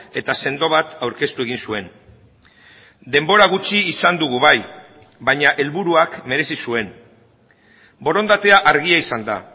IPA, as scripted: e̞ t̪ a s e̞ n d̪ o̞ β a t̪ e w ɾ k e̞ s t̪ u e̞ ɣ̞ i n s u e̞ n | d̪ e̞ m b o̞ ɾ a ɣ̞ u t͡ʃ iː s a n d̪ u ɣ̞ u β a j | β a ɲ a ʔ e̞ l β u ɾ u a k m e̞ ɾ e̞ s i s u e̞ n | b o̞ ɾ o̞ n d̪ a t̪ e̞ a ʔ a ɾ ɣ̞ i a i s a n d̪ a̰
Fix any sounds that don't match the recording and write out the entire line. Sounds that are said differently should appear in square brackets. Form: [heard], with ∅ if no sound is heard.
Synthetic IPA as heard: e̞ t̪ a s e̞ n d̪ o̞ β a t̪ [a] w ɾ k e̞ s t̪ u e̞ ɣ̞ i n s u e̞ n | d̪ e̞ m b o̞ ɾ a ɣ̞ u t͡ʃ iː s a n d̪ u ɣ̞ u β a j | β a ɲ a ʔ e̞ l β u ɾ u a k m e̞ ɾ e̞ s i s u e̞ n | b o̞ ɾ o̞ n d̪ a t̪ e̞ a ʔ a ɾ ɣ̞ i a i s a n d̪ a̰